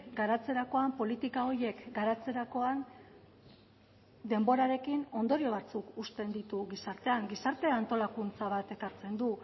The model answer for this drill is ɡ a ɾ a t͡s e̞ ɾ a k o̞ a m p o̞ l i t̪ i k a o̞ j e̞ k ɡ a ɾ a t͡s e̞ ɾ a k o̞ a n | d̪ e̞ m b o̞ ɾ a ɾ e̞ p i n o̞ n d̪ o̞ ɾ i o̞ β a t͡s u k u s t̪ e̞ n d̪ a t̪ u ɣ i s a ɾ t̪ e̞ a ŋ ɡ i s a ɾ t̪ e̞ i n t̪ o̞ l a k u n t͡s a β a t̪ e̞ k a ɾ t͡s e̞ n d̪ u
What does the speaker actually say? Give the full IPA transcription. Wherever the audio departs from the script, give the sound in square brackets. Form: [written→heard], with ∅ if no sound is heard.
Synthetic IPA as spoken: ɡ a ɾ a t͡s e̞ ɾ a k o̞ a m p o̞ l i t̪ i k a o̞ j e̞ k ɡ a ɾ a t͡s e̞ ɾ a k o̞ a n | d̪ e̞ m b o̞ ɾ a ɾ e̞ [p→k] i n o̞ n d̪ o̞ ɾ i o̞ β a t͡s u k u s t̪ e̞ n d̪ [a→i] t̪ u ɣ i s a ɾ t̪ e̞ a ŋ ɡ i s a ɾ t̪ e̞ [i→a] n t̪ o̞ l a k u n t͡s a β a t̪ e̞ k a ɾ t͡s e̞ n d̪ u